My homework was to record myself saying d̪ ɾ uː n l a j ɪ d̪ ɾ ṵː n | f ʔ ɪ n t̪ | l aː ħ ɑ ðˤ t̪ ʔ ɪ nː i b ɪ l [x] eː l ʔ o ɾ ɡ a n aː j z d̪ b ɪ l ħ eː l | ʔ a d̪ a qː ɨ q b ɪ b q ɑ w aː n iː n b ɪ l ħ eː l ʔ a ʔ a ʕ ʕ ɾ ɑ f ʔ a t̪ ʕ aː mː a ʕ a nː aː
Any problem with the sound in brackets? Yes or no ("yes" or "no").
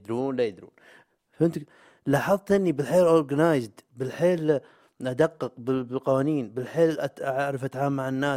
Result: yes